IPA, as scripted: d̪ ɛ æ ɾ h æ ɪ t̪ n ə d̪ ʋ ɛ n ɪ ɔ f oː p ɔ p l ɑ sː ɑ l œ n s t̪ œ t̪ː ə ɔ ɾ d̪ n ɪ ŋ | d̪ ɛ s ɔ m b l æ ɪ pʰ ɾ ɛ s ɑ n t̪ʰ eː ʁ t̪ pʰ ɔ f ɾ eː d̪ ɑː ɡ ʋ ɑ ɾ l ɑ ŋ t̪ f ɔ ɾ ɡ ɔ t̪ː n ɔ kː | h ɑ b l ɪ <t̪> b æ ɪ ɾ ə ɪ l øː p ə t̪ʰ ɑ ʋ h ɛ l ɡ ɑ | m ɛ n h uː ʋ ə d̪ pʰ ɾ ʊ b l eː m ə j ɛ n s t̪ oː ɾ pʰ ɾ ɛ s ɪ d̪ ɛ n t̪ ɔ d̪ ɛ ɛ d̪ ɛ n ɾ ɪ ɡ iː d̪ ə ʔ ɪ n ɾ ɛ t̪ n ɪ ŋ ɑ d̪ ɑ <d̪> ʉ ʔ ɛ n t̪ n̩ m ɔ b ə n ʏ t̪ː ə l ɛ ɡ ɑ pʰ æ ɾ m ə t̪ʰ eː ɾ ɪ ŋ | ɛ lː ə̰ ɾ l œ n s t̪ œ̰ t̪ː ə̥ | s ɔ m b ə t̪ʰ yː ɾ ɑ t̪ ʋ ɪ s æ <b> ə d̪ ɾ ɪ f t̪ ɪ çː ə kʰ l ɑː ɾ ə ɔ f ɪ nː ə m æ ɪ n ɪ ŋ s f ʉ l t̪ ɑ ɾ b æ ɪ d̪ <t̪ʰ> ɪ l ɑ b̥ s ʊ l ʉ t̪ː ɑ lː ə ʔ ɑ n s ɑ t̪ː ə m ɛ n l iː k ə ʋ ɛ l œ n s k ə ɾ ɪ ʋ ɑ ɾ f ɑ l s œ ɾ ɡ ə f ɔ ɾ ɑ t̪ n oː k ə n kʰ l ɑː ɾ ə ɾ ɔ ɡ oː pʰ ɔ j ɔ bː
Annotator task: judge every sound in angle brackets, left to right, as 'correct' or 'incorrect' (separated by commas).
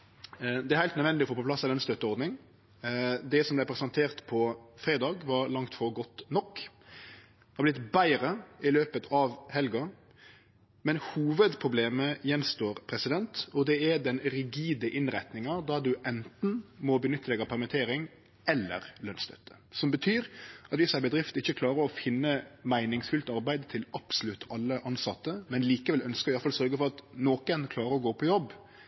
correct, correct, correct, correct